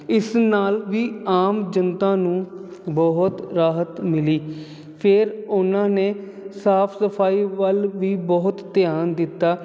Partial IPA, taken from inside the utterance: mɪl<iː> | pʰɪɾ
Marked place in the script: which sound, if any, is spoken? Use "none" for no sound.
iː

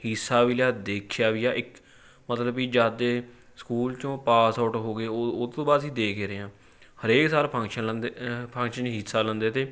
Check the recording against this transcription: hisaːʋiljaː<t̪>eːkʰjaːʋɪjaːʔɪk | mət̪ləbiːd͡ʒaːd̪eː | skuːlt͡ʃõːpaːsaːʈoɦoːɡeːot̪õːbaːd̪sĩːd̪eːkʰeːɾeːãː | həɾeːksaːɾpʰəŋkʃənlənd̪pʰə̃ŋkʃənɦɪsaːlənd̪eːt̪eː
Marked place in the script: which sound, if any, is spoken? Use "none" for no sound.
d̪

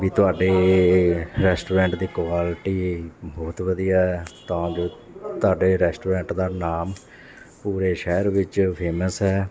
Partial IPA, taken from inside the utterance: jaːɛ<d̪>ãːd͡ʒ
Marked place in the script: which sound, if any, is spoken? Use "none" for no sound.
t̪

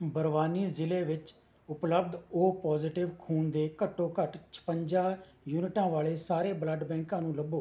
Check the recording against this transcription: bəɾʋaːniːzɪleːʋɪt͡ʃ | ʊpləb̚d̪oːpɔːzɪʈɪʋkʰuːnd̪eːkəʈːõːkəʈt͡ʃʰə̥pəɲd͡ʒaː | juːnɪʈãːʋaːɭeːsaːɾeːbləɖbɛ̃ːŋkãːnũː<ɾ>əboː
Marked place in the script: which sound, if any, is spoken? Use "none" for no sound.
l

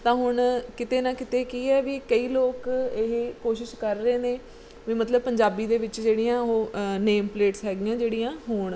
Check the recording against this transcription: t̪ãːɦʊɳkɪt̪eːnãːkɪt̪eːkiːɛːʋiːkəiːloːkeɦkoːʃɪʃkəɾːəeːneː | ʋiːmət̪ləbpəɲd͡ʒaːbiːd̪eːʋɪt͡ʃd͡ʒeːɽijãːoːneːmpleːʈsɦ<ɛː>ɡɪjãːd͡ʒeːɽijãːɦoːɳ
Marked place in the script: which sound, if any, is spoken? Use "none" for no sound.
ɛː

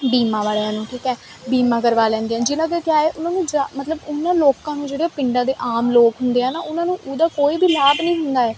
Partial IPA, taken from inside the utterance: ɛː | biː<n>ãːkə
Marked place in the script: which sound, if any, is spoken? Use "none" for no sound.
m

